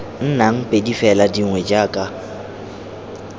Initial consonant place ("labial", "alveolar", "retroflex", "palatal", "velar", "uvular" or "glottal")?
alveolar